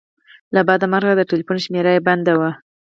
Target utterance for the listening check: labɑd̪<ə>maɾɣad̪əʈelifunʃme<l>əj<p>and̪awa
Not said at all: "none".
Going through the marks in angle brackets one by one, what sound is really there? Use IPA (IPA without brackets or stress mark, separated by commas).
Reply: a, ɾ, b